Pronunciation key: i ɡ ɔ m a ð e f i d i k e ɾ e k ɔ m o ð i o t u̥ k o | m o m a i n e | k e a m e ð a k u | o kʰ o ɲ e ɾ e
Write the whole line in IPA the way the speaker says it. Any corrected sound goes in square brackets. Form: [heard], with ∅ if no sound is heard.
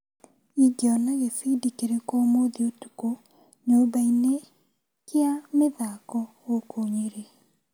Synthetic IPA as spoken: i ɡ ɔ [n] a [ɣ] e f i d i k e ɾ e k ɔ m o ð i o t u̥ k o | [ɲ] o [b] a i n e | k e a m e ð a k [ɔ] | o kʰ o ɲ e ɾ e